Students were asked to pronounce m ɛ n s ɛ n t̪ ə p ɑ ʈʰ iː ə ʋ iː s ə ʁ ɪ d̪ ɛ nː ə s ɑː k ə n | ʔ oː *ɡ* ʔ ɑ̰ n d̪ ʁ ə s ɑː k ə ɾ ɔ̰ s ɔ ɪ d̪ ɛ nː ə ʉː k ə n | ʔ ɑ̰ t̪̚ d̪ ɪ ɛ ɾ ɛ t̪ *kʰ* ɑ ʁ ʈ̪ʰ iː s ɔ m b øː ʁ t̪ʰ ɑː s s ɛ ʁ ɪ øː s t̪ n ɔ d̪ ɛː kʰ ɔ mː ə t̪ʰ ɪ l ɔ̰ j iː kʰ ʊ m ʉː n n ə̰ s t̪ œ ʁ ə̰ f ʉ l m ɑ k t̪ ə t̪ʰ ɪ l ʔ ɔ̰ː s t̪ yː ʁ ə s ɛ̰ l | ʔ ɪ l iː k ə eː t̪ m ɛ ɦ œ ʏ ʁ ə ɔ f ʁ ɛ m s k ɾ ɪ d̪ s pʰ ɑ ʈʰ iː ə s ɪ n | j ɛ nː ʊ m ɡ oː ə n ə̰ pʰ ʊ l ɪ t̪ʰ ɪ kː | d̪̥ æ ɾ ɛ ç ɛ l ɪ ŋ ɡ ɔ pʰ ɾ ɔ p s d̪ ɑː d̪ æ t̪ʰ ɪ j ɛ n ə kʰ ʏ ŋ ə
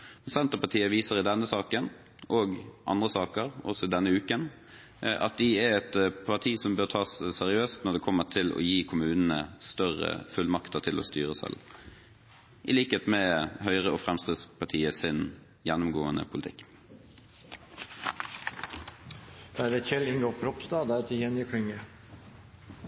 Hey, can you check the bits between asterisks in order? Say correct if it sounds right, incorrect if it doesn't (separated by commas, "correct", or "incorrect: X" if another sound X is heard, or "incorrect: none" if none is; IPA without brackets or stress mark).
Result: correct, incorrect: pʰ